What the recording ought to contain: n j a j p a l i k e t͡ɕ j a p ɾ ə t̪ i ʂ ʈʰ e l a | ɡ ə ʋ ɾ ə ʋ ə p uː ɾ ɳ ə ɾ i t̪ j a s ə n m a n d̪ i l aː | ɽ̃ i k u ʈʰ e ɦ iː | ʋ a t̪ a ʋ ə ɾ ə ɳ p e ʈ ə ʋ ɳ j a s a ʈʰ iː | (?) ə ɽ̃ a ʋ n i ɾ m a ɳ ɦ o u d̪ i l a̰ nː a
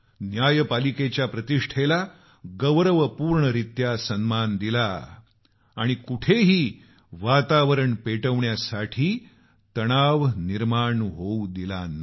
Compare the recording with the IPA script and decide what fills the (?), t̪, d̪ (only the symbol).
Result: t̪